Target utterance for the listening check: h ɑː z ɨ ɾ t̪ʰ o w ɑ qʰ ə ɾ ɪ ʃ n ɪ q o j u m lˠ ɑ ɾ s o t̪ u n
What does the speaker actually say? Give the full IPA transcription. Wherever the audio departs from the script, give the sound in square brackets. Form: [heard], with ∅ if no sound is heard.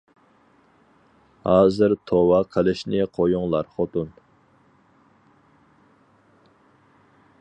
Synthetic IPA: h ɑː z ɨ ɾ t̪ʰ o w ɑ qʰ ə [l] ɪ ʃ n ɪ [qʰ] o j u [ŋ] lˠ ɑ ɾ [χ] o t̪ u n